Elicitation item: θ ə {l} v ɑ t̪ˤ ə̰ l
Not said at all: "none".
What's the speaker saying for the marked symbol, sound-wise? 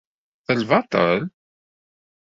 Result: l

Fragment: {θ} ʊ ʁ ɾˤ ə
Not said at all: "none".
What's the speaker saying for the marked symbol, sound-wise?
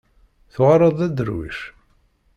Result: θ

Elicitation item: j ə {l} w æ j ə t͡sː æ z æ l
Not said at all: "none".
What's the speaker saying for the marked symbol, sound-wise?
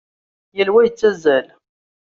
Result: l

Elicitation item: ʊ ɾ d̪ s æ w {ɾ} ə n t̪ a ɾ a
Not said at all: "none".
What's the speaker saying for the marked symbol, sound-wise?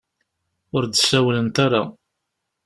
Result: l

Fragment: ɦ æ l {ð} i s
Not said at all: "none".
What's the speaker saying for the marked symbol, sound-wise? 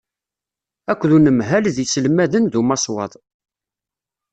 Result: ð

